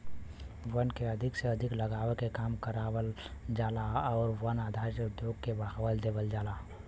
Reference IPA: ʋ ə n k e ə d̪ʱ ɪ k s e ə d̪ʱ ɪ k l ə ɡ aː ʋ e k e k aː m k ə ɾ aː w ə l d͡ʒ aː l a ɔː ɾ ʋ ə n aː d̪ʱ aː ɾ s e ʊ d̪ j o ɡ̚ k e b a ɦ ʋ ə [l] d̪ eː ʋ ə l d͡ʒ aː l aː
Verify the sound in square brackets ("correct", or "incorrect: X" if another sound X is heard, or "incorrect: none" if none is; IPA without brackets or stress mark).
correct